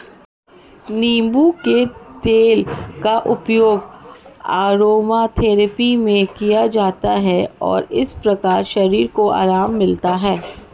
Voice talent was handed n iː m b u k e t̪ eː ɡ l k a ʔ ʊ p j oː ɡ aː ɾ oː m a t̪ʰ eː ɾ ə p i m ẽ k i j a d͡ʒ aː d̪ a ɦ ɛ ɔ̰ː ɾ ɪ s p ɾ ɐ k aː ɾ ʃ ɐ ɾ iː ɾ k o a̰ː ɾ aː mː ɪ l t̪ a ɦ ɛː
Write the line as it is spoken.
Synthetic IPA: n iː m b u k e t̪ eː l k a ʔ ʊ p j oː ɡ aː ɾ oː m a t̪ʰ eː ɾ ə p i m ẽ k i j a d͡ʒ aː t̪ a ɦ ɛ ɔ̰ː ɾ ɪ s p ɾ ɐ k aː ɾ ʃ ɐ ɾ iː ɾ k o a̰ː ɾ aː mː ɪ l t̪ a ɦ ɛː

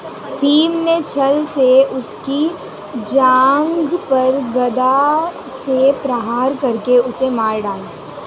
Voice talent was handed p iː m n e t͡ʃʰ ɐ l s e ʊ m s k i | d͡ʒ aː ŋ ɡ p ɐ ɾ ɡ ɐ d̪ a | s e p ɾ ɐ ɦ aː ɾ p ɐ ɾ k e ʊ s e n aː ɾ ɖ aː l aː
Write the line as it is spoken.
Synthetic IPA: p iː m n e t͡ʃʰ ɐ l s e ʊ s k i | d͡ʒ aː ŋ ɡ p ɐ ɾ ɡ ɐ d̪ a | s e p ɾ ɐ ɦ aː ɾ k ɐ ɾ k e ʊ s e m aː ɾ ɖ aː l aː

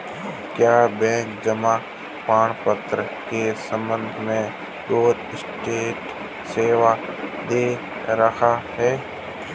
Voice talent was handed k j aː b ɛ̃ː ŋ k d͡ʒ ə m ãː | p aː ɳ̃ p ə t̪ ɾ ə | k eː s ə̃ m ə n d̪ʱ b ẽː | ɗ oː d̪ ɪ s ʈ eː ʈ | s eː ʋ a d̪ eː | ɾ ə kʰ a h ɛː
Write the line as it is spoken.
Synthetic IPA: k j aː b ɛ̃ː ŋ k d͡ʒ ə m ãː | p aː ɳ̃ p ə t̪ ɾ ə | k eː s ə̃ m ə n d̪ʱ m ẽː | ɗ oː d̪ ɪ s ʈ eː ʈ | s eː ʋ a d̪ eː | ɾ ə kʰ a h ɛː

